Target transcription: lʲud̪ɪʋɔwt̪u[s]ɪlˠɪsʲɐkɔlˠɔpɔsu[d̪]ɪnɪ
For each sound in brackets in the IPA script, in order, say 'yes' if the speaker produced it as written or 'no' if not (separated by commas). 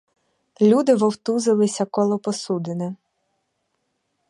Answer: no, yes